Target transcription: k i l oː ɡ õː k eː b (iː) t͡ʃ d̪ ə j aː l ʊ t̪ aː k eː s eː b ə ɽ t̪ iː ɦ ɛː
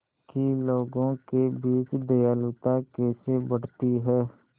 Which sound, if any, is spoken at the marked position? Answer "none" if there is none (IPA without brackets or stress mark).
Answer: iː